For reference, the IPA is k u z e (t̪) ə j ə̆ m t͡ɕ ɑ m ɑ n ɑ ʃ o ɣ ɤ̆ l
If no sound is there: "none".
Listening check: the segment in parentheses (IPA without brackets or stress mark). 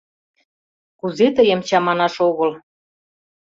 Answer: t̪